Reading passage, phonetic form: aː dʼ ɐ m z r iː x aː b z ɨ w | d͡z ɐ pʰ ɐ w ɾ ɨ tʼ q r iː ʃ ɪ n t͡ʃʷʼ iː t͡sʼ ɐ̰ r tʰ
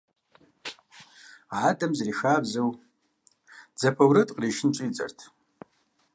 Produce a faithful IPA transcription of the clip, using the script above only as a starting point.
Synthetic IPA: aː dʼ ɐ m z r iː x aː b z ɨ w | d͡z ɐ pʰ ɐ w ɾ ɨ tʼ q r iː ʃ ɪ n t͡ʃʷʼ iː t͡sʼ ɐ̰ r tʰ